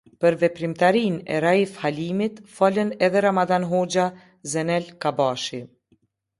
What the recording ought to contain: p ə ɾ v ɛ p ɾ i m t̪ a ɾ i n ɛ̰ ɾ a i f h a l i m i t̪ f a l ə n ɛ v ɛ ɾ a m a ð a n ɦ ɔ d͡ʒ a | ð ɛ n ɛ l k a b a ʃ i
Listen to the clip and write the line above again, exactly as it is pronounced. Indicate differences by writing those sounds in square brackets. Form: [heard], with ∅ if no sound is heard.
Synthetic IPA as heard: p ə ɾ v ɛ p ɾ i m t̪ a ɾ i n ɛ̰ ɾ a i f h a l i m i t̪ f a l ə n ɛ [ð] ɛ ɾ a m a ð a n ɦ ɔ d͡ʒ a | [z] ɛ n ɛ l k a b a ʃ i

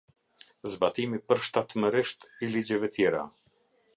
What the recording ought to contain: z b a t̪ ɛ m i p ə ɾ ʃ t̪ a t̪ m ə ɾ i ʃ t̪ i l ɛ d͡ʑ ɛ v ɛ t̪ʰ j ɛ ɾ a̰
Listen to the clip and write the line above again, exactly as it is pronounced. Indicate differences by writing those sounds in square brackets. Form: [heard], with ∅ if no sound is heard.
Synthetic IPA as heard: z b a t̪ [i] m i p ə ɾ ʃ t̪ a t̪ m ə ɾ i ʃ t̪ i l [i] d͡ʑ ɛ v ɛ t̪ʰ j ɛ ɾ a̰

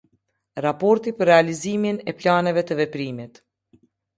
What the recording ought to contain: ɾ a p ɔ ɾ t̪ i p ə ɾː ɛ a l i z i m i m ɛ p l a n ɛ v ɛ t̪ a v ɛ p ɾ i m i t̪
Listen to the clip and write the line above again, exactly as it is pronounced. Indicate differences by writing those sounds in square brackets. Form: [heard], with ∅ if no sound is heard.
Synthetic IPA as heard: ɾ a p ɔ ɾ t̪ i p ə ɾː ɛ a l i z i m i [n] ɛ p l a n ɛ v ɛ t̪ [ə] v ɛ p ɾ i m i t̪

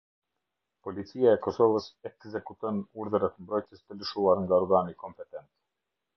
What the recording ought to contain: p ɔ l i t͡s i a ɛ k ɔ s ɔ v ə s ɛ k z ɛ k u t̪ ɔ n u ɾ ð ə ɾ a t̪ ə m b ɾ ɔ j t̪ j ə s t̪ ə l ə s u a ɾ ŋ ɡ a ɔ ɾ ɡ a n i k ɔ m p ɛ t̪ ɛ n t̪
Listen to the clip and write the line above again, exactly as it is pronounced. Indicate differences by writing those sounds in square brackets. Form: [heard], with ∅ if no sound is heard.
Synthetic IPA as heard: p ɔ l i t͡s i a ɛ k ɔ s ɔ v ə s ɛ k z ɛ k u t̪ ɔ n u ɾ ð ə ɾ a t̪ ə m b ɾ ɔ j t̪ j ə s t̪ ə l ə [ʃ] u a ɾ ŋ ɡ a ɔ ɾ ɡ a n i k ɔ m p ɛ t̪ ɛ n t̪

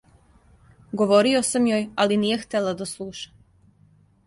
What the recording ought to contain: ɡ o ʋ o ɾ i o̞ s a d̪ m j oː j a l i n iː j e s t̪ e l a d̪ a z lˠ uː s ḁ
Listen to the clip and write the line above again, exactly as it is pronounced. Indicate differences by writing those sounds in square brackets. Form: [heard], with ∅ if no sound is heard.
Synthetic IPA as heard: ɡ o ʋ o ɾ i o̞ s a [∅] m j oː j a l i n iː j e [x] t̪ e l a d̪ a [s] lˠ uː [ʃ] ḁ

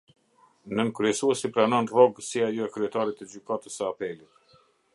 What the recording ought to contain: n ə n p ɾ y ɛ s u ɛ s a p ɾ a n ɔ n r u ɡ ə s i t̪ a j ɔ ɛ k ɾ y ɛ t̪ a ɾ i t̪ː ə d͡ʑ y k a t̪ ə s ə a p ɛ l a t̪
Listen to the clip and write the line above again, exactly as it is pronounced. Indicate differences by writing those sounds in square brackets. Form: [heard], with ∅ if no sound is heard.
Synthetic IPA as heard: n ə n [k] ɾ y ɛ s u ɛ s [i] p ɾ a n ɔ n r [ɔ] ɡ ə s i [∅] a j ɔ ɛ k ɾ y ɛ t̪ a ɾ i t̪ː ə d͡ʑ y k a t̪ ə s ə a p ɛ l [i] t̪

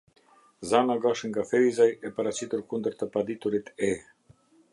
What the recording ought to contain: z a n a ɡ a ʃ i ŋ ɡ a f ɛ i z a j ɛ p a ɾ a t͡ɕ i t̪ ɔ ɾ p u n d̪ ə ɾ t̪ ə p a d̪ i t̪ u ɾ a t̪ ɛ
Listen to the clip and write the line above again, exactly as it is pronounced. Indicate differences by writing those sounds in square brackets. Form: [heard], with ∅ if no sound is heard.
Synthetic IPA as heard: z a n a ɡ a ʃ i ŋ ɡ a f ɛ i z a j ɛ p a ɾ a t͡ɕ i t̪ [u] ɾ [k] u n d̪ ə ɾ t̪ ə p a d̪ i t̪ u ɾ [i] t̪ ɛ

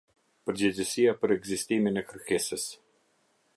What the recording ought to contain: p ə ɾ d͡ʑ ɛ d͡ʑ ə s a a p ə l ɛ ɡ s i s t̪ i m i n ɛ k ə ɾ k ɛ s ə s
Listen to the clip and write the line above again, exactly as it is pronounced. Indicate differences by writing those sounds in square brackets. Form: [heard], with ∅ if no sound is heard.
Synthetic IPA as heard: p ə ɾ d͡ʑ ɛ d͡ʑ ə s [i] a p ə [ɾ] ɛ ɡ [z] i s t̪ i m i n ɛ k ə ɾ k ɛ s ə s

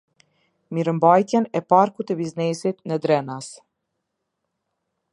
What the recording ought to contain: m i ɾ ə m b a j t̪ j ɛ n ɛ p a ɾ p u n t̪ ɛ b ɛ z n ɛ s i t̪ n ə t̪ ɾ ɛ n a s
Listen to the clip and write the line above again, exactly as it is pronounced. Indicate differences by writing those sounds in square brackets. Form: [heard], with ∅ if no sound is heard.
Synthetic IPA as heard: m i ɾ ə m b a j t̪ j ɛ n ɛ p a ɾ [k] u [∅] t̪ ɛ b [i] z n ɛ s i t̪ n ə [d̪] ɾ ɛ n a s

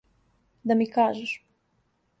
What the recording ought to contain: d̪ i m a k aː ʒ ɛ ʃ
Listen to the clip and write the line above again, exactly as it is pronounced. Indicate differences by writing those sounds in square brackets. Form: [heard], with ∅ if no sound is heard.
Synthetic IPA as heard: d̪ [a] m [i] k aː ʒ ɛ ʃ

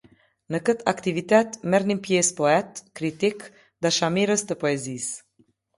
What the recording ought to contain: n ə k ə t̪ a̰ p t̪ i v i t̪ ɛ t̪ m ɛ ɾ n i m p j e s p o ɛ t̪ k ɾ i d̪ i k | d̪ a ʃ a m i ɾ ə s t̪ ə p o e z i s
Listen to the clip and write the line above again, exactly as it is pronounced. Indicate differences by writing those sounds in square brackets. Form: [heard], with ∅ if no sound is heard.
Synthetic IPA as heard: n ə k ə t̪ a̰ [k] t̪ i v i t̪ ɛ t̪ m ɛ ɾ n i m p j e s p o ɛ t̪ k ɾ i [t̪] i k | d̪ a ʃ a m i ɾ ə s t̪ ə p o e z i s

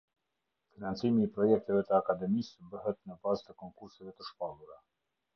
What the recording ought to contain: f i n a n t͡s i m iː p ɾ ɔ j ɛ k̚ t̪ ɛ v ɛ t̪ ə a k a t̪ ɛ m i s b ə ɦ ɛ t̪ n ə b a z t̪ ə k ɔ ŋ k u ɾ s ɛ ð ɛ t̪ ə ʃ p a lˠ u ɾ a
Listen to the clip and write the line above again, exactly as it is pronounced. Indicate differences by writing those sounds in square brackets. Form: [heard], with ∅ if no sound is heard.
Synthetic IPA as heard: f i n a n t͡s i m iː p ɾ ɔ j ɛ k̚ t̪ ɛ v ɛ t̪ ə a k a [d̪] ɛ m i s b ə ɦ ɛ t̪ n ə b a z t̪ ə k ɔ ŋ k u ɾ s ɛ [v] ɛ t̪ ə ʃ p a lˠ u ɾ a

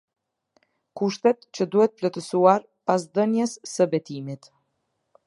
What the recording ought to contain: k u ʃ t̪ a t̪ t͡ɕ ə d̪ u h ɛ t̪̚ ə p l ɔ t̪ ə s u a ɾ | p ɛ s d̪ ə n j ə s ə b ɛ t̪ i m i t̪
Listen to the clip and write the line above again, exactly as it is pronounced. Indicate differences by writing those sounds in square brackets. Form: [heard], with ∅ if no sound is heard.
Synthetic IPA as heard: k u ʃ t̪ [ɛ] t̪ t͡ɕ ə d̪ u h ɛ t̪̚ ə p l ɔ t̪ ə s u a ɾ | p [a] s d̪ ə n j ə [sː] ə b ɛ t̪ i m i t̪

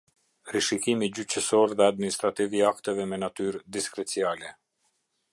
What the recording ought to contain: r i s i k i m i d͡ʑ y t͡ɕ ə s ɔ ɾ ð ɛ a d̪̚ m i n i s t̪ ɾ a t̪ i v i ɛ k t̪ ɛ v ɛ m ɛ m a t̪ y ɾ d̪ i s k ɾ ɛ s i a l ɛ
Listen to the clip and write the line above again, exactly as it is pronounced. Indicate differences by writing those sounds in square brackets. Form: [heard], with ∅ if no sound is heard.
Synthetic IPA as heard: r i [ʃ] i k i m i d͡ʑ y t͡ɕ ə s ɔ ɾ ð ɛ a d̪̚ m i n i s t̪ ɾ a t̪ i v i [a] k t̪ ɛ v ɛ m ɛ [n] a t̪ y ɾ d̪ i s k ɾ ɛ [t͡s] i a l ɛ

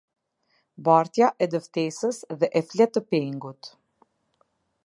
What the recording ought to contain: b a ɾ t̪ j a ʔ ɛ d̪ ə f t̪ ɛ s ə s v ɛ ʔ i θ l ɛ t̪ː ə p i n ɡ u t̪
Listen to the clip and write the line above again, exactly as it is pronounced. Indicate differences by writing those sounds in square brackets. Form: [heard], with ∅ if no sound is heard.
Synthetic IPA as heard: b a ɾ t̪ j a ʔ ɛ d̪ ə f t̪ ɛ s ə s [ð] ɛ ʔ [ɛ] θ l ɛ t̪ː ə p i [ŋ] ɡ u t̪

